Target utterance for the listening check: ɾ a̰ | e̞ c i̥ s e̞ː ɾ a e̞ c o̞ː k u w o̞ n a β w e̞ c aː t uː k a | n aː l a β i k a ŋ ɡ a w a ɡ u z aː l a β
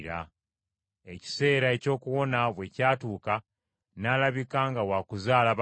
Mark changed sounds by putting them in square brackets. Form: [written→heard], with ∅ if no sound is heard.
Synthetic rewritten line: ɾ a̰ | e̞ c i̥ s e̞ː ɾ a e̞ c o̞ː k u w o̞ n a β w e̞ c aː t uː k a | n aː l a β i k a ŋ ɡ a w a [ɡ→k] u z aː l a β